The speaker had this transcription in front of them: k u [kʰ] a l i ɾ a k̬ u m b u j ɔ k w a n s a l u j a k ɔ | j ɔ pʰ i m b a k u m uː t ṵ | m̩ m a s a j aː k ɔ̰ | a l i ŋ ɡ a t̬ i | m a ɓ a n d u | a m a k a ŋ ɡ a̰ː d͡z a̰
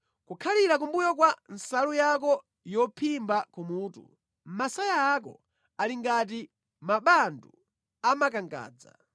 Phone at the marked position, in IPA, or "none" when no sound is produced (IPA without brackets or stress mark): kʰ